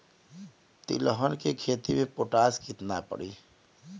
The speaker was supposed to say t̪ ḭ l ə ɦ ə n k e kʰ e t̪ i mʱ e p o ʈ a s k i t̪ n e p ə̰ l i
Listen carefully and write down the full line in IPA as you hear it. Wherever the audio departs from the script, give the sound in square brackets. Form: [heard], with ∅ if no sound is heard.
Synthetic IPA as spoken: t̪ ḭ l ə ɦ ə n k e kʰ e t̪ i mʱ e p o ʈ a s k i t̪ n [a] p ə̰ [ɽ] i

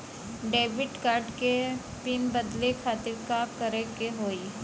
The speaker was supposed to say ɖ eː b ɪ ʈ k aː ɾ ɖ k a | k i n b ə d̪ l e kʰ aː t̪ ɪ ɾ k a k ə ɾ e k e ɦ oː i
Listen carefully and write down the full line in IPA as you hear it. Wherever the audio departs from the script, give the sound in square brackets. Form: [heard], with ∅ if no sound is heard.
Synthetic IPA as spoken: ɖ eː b ɪ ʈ k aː ɾ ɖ k [e] | [p] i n b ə d̪ l e kʰ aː t̪ ɪ ɾ k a k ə ɾ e k e ɦ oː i

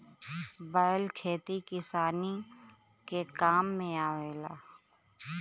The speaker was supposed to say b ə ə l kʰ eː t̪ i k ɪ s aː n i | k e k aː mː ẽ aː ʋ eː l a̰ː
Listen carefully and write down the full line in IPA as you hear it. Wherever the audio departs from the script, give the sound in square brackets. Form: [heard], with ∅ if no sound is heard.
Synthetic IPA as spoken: b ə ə l kʰ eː t̪ i k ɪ s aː n i | k e k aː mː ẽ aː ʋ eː l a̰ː

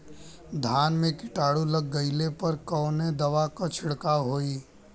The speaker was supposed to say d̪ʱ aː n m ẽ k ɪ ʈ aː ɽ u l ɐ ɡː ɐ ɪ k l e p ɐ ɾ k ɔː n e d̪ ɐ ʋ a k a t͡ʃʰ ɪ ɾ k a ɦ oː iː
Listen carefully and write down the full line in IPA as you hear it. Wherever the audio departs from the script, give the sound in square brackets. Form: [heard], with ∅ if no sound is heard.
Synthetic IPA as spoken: d̪ʱ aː n m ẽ k ɪ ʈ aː ɽ u l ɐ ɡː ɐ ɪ [∅] l e p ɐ ɾ k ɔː n e d̪ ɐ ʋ a k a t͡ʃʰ ɪ [ɽ] k a ɦ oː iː

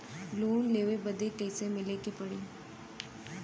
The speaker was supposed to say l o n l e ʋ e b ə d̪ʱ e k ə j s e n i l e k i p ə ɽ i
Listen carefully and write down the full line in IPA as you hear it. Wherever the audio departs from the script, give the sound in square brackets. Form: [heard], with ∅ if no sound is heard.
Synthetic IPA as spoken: l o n l e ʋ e b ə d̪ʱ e k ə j s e [m] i l e k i p ə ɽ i

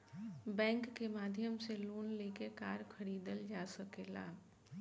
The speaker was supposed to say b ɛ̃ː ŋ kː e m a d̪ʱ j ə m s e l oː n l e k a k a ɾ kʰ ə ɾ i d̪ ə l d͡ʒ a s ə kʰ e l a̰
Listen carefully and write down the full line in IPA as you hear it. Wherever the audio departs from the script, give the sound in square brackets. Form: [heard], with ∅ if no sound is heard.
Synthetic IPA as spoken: b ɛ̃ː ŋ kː e m a d̪ʱ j ə m s e l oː n l e k [e] k a ɾ kʰ ə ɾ i d̪ ə l d͡ʒ a s ə [k] e l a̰

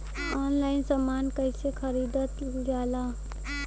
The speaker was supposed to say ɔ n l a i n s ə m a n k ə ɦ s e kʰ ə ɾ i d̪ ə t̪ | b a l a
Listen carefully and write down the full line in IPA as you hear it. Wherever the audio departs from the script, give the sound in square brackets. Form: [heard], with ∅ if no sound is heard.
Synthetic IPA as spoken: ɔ n l a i n s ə m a n k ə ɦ s e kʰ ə ɾ i d̪ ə t̪ | [ɡ] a l a

